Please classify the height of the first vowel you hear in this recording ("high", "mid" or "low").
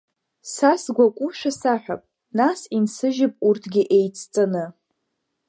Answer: low